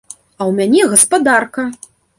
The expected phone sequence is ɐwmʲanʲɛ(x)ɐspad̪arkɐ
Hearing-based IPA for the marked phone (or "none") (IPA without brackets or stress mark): ɣ